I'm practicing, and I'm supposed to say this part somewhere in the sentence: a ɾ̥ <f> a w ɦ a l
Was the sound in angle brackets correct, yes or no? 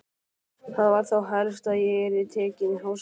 no